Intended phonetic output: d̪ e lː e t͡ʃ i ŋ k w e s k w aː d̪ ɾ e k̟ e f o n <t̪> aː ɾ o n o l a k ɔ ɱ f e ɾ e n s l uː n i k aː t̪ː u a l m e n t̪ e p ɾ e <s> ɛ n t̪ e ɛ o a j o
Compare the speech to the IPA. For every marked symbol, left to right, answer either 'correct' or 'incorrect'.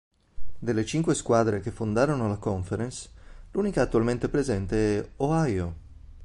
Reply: incorrect: d̪, incorrect: z

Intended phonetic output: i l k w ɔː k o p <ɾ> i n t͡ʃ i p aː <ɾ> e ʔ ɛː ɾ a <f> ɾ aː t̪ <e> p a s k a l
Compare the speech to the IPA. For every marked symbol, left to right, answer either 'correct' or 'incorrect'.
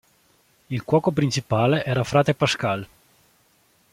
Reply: correct, incorrect: l, correct, correct

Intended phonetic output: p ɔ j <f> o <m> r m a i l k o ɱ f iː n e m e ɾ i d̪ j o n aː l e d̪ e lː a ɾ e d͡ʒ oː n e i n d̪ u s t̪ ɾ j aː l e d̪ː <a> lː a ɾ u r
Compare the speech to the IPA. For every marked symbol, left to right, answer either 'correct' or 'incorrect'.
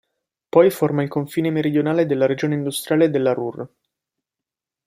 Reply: correct, incorrect: none, incorrect: e

